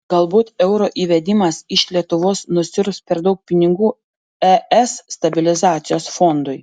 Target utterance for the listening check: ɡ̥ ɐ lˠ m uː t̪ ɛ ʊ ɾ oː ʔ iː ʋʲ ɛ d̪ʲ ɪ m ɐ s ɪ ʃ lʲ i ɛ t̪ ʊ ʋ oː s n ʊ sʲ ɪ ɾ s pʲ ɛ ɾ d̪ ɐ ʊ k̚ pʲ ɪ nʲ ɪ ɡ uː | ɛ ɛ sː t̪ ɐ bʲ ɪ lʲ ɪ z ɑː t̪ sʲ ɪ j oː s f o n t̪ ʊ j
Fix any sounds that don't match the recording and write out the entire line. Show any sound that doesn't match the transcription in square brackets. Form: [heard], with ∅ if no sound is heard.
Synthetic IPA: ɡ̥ ɐ lˠ [b] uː t̪ ɛ ʊ ɾ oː ʔ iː ʋʲ ɛ d̪ʲ ɪ m ɐ s ɪ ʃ lʲ i ɛ t̪ ʊ ʋ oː s n ʊ sʲ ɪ ɾ s pʲ ɛ ɾ d̪ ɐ ʊ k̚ pʲ ɪ nʲ ɪ ɡ uː | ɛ ɛ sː t̪ ɐ bʲ ɪ lʲ ɪ z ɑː t̪ sʲ ɪ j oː s f o n [d̪] ʊ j